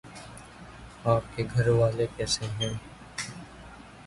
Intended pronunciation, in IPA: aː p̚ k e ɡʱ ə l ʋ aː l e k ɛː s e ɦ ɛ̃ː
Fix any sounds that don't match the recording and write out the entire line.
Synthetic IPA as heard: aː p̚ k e ɡʱ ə ɾ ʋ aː l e k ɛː s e ɦ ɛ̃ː